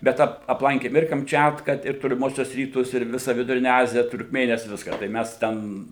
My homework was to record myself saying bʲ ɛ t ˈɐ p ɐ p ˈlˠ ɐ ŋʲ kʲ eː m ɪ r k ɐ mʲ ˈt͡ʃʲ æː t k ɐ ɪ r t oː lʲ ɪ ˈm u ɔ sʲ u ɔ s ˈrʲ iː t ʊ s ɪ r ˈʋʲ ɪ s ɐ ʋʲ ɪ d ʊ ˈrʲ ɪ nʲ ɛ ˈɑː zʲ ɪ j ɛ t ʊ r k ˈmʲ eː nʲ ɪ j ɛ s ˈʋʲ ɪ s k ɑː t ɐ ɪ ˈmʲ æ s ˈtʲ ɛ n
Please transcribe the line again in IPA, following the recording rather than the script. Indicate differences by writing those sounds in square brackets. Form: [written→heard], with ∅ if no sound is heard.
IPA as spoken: bʲ ɛ t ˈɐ p ɐ p ˈlˠ ɐ ŋʲ kʲ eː m ɪ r k ɐ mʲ ˈt͡ʃʲ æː t k ɐ ɪ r t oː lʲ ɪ ˈm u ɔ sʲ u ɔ s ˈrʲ iː t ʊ s ɪ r ˈʋʲ ɪ s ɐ ʋʲ ɪ d ʊ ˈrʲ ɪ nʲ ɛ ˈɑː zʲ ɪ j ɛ t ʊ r k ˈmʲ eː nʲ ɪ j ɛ s ˈʋʲ ɪ s k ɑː t ɐ ɪ ˈmʲ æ s ˈtʲ ɛ n

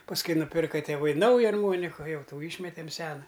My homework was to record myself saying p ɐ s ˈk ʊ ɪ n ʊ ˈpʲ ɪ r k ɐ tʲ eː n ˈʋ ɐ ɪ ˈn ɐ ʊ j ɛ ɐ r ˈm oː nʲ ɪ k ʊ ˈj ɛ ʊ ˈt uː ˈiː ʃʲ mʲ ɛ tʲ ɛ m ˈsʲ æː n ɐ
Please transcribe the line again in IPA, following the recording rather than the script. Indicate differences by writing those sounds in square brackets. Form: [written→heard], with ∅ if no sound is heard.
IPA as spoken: p ɐ s ˈk ʊ ɪ n ʊ ˈpʲ ɪ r k ɐ tʲ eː [n→∅] ˈʋ ɐ ɪ ˈn ɐ ʊ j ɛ ɐ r ˈm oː nʲ ɪ k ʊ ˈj ɛ ʊ ˈt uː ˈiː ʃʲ mʲ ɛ tʲ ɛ m ˈsʲ æː n ɐ

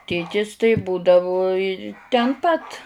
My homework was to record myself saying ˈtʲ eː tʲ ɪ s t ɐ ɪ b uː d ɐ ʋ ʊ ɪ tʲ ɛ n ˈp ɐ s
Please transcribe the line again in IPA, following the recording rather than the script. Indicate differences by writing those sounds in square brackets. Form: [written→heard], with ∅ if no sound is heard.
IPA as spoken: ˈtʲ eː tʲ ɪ s t ɐ ɪ b uː d ɐ ʋ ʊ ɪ tʲ ɛ n ˈp ɐ [s→t]

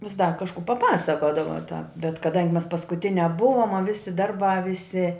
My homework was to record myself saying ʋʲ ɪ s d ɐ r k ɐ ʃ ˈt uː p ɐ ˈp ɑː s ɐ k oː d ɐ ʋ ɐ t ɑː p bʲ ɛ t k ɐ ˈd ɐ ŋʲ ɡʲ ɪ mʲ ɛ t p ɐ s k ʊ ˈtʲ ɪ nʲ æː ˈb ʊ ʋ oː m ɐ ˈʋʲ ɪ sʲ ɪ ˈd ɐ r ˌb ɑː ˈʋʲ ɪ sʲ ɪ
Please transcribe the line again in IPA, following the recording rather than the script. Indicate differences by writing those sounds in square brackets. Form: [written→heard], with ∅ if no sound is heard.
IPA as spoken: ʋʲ ɪ s d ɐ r k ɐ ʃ [ˈt→ˈk] uː p ɐ ˈp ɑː s ɐ k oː d ɐ ʋ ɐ t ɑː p bʲ ɛ t k ɐ ˈd ɐ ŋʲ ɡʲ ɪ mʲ ɛ [t→s] p ɐ s k ʊ ˈtʲ ɪ nʲ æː ˈb ʊ ʋ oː m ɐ ˈʋʲ ɪ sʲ ɪ ˈd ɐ r ˌb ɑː ˈʋʲ ɪ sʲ ɪ

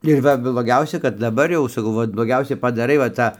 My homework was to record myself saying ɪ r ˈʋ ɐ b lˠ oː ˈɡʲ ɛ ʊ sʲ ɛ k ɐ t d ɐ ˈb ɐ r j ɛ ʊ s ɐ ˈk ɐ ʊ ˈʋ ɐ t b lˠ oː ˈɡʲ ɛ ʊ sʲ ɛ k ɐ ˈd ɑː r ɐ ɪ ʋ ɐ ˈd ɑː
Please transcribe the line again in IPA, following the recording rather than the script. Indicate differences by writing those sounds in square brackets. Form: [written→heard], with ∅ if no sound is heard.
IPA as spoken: ɪ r ˈʋ ɐ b lˠ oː ˈɡʲ ɛ ʊ sʲ ɛ k ɐ t d ɐ ˈb ɐ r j ɛ ʊ s ɐ ˈk ɐ ʊ ˈʋ ɐ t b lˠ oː ˈɡʲ ɛ ʊ sʲ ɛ [k→p] ɐ ˈd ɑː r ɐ ɪ ʋ ɐ [ˈd→ˈt] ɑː

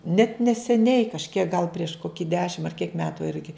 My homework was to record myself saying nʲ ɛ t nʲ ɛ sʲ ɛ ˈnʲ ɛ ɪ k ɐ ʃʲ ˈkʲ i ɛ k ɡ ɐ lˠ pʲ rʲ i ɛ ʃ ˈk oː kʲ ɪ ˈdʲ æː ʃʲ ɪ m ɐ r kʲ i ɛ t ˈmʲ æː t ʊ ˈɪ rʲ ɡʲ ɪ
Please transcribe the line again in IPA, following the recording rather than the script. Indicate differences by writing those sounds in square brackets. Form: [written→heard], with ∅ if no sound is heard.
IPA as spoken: nʲ ɛ t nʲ ɛ sʲ ɛ ˈnʲ ɛ ɪ k ɐ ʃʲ ˈkʲ i ɛ k ɡ ɐ lˠ pʲ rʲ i ɛ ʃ ˈk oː kʲ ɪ ˈdʲ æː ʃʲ ɪ m ɐ r kʲ i ɛ [t→k] ˈmʲ æː t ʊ ˈɪ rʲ ɡʲ ɪ

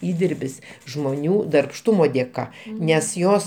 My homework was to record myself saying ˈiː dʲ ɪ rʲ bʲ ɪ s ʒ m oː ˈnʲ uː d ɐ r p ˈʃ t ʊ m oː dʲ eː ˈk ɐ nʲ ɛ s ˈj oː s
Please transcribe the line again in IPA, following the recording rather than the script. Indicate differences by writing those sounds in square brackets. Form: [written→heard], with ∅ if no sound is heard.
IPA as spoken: ˈiː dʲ ɪ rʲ bʲ ɪ s ʒ m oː ˈnʲ uː d ɐ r p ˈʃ t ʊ m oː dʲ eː ˈk ɐ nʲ ɛ s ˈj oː s

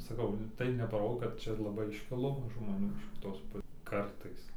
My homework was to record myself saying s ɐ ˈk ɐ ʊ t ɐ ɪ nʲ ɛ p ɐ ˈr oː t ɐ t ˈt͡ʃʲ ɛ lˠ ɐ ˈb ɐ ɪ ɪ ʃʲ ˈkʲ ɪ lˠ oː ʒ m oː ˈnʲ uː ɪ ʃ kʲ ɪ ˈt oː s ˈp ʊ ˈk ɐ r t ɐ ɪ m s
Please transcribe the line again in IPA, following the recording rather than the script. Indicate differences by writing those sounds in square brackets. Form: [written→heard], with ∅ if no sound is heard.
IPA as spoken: s ɐ ˈk ɐ ʊ t ɐ ɪ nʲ ɛ p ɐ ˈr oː [t→k] ɐ t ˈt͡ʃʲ ɛ lˠ ɐ ˈb ɐ ɪ ɪ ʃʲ ˈkʲ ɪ lˠ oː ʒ m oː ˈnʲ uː ɪ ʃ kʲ ɪ ˈt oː s ˈp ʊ ˈk ɐ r t ɐ ɪ [m→∅] s

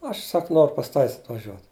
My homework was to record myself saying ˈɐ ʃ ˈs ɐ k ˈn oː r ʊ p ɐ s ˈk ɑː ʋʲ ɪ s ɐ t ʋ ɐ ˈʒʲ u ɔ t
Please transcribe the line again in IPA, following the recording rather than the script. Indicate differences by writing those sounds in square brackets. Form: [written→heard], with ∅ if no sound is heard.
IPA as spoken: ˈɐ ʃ ˈs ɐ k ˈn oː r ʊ p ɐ s [ˈk→ˈt] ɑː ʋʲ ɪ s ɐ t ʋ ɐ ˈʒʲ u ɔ t

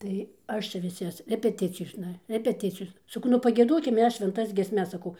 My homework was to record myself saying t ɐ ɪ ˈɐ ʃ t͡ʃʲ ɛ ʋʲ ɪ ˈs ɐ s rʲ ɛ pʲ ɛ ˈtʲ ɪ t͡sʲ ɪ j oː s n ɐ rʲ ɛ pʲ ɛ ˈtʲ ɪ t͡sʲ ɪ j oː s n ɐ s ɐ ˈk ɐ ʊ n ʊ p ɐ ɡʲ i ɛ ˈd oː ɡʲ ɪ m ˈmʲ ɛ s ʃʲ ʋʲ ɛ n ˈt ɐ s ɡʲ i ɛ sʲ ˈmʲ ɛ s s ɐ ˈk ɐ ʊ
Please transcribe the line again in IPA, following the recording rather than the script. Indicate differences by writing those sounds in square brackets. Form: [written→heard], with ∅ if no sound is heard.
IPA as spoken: t ɐ ɪ ˈɐ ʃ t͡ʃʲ ɛ ʋʲ ɪ ˈs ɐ s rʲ ɛ pʲ ɛ ˈtʲ ɪ t͡sʲ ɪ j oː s n ɐ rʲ ɛ pʲ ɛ ˈtʲ ɪ t͡sʲ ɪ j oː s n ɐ s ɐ ˈk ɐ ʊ n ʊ p ɐ ɡʲ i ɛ ˈd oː [ɡʲ→kʲ] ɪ m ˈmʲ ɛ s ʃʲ ʋʲ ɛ n ˈt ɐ s ɡʲ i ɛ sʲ ˈmʲ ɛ s s ɐ ˈk ɐ ʊ

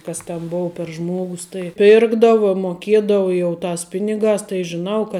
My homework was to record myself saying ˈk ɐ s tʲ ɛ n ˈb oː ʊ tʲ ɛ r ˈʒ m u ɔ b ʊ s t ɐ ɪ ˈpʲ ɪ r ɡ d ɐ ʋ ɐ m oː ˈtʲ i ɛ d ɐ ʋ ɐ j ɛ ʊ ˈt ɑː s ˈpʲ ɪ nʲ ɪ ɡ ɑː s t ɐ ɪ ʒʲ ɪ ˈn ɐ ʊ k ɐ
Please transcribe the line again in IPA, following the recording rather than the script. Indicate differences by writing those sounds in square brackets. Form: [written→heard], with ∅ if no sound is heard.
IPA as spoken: ˈk ɐ s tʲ ɛ n ˈb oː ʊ [tʲ→pʲ] ɛ r ˈʒ m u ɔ [b→ɡ] ʊ s t ɐ ɪ ˈpʲ ɪ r ɡ d ɐ ʋ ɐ m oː [ˈtʲ→ˈkʲ] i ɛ d ɐ ʋ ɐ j ɛ ʊ ˈt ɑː s ˈpʲ ɪ nʲ ɪ ɡ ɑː s t ɐ ɪ ʒʲ ɪ ˈn ɐ ʊ k ɐ

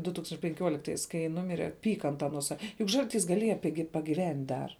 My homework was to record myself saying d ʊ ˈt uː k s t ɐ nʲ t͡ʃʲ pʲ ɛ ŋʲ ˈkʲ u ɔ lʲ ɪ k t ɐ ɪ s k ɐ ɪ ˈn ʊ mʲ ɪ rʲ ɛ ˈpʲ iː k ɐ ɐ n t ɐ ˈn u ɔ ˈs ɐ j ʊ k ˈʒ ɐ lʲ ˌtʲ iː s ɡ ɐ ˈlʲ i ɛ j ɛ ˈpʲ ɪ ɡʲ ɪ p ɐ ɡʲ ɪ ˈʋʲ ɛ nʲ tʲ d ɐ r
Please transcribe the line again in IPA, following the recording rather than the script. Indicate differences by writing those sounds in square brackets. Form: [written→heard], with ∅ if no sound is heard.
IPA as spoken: d ʊ ˈt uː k s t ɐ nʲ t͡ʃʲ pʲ ɛ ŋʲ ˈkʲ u ɔ lʲ ɪ k t ɐ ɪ s k ɐ ɪ ˈn ʊ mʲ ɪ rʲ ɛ ˈpʲ iː k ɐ ɐ n t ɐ ˈn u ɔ ˈs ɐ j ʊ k ˈʒ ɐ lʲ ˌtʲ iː s ɡ ɐ ˈlʲ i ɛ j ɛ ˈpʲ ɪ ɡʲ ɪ p ɐ ɡʲ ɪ ˈʋʲ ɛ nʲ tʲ d ɐ r

